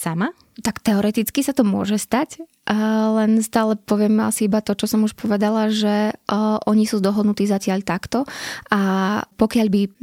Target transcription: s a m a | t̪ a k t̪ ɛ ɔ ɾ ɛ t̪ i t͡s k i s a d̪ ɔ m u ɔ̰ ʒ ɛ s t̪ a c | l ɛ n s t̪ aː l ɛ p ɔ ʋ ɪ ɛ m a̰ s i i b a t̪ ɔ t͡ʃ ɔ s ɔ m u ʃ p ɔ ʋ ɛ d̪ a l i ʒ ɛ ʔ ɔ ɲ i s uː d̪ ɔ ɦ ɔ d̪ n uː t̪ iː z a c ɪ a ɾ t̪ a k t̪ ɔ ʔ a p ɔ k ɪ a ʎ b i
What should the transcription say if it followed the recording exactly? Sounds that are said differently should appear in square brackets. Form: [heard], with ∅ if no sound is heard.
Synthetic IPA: s a m a | t̪ a k t̪ ɛ ɔ ɾ ɛ t̪ i t͡s k i s a [t̪] ɔ m [ʊ] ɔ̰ ʒ ɛ s t̪ a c | l ɛ n s t̪ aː l ɛ p ɔ ʋ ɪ ɛ m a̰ s i i b a t̪ ɔ t͡ʃ ɔ s ɔ m u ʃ p ɔ ʋ ɛ d̪ a l [a] ʒ ɛ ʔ ɔ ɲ i s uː d̪ ɔ ɦ ɔ d̪ n [u] t̪ iː z a c ɪ a [ʎ] t̪ a k t̪ ɔ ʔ a p ɔ k ɪ a ʎ b i